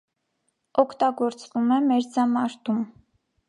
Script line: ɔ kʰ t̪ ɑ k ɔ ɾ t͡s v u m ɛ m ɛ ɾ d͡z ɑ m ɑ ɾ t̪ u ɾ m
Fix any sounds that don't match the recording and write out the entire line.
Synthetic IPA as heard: ɔ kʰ t̪ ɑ ɡ ɔ ɾ t͡s v u m ɛ m ɛ ɾ d͡z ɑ m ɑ ɾ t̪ u m

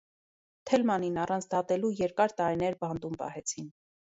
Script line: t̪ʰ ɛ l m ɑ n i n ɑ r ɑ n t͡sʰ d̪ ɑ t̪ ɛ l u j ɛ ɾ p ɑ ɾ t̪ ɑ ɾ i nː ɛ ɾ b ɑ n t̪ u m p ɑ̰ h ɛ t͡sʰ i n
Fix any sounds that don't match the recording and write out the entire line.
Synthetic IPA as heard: t̪ʰ ɛ l m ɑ n i n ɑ r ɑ n t͡sʰ d̪ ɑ t̪ ɛ l u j ɛ ɾ k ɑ ɾ t̪ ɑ ɾ i n ɛ ɾ b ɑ n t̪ u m p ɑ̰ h ɛ t͡sʰ i n

